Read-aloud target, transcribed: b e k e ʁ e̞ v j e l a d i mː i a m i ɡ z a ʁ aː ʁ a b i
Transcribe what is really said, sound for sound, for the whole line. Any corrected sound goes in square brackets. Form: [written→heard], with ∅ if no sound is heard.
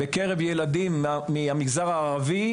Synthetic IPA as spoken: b e k e ʁ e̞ v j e l a d i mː i a m i ɡ z a ʁ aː ʁ a [b→v] i